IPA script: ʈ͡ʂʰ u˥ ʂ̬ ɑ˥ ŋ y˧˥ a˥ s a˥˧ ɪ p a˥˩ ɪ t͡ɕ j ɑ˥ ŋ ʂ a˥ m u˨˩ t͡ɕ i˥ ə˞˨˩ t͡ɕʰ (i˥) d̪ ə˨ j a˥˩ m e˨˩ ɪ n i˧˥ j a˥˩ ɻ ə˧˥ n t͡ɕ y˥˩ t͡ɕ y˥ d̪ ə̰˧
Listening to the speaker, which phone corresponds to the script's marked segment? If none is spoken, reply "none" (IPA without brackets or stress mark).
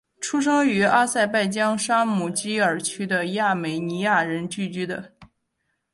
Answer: y˥